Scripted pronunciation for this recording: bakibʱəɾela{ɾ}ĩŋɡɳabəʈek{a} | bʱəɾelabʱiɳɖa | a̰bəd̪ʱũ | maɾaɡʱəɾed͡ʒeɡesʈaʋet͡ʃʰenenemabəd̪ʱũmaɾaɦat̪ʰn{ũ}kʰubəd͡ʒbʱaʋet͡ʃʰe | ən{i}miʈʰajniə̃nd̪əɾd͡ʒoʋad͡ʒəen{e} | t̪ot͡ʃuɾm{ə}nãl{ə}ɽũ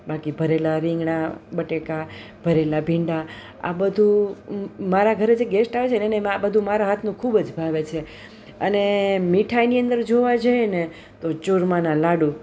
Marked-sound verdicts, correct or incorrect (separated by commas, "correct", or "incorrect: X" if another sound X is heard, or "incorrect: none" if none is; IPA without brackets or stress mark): correct, correct, correct, incorrect: e, correct, incorrect: a, incorrect: a